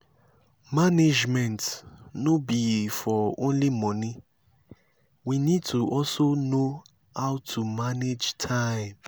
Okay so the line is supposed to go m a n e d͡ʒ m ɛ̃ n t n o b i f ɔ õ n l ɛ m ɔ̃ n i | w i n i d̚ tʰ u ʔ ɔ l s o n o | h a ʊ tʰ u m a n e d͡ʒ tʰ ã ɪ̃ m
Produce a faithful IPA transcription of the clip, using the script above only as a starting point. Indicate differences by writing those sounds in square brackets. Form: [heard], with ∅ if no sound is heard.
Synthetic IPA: m a n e d͡ʒ m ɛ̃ n t n o b i f ɔ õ n l [i] m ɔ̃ n i | w i n i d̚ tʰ u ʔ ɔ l s o n o | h a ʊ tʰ u m a n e d͡ʒ tʰ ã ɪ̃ m